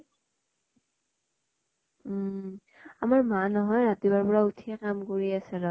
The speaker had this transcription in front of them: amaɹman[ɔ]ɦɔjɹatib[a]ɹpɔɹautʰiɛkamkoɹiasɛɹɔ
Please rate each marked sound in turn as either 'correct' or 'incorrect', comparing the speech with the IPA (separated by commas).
correct, correct